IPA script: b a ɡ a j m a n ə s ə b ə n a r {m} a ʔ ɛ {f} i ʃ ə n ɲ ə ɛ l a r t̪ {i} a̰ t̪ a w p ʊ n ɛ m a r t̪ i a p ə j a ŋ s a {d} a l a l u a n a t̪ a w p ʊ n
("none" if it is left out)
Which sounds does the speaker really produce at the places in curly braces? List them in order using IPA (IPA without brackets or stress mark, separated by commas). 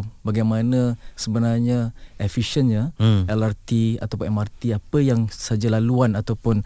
ɲ, f, i, d͡ʒ